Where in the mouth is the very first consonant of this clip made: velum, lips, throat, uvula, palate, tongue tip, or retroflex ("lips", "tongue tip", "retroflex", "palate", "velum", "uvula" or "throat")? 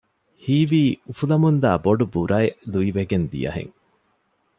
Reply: throat